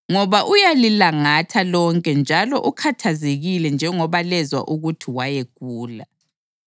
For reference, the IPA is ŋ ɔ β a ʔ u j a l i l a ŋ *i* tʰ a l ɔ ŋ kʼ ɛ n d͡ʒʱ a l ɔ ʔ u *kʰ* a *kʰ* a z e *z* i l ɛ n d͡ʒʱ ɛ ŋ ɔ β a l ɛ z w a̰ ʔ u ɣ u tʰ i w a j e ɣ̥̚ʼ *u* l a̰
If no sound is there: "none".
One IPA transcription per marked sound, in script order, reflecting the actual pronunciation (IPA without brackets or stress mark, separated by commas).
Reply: a, kʰ, tʰ, ɣ, uː